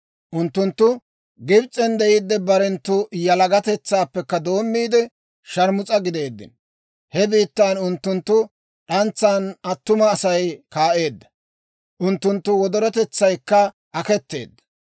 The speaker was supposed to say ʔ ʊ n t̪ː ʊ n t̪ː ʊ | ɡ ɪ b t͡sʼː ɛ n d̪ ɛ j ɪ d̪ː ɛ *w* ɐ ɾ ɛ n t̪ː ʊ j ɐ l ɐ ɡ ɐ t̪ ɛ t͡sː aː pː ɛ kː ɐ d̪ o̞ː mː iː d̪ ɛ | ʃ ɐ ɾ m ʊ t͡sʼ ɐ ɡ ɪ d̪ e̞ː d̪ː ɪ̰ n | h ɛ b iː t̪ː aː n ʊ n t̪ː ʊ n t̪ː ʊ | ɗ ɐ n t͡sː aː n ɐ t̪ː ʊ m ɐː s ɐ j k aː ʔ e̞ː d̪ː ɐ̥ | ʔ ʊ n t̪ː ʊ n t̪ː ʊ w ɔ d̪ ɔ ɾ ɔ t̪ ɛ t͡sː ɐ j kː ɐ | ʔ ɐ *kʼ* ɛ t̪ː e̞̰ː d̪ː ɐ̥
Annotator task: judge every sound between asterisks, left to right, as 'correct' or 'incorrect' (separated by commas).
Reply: incorrect, incorrect